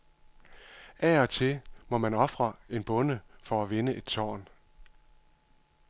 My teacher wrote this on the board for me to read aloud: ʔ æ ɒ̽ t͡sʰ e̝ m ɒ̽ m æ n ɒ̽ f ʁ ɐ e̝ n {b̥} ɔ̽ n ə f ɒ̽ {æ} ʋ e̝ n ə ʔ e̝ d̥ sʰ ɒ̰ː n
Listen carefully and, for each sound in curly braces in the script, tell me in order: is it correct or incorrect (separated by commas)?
correct, correct